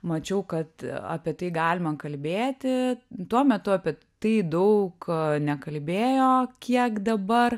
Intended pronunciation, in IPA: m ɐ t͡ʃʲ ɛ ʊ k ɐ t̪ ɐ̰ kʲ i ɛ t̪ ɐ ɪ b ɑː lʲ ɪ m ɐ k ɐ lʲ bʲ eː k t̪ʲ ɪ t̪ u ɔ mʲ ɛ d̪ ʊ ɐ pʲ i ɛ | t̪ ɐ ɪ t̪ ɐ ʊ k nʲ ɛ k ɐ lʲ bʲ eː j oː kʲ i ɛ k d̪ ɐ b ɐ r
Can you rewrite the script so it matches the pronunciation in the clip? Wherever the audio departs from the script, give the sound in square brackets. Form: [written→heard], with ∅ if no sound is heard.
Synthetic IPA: m ɐ t͡ʃʲ ɛ ʊ k ɐ t̪ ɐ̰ [kʲ→pʲ] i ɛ t̪ ɐ ɪ [b→ɡ] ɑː lʲ ɪ m ɐ k ɐ lʲ bʲ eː [k→∅] t̪ʲ ɪ t̪ u ɔ mʲ ɛ [d̪→t̪] ʊ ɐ pʲ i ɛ | t̪ ɐ ɪ [t̪→d̪] ɐ ʊ k nʲ ɛ k ɐ lʲ bʲ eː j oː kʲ i ɛ k d̪ ɐ b ɐ r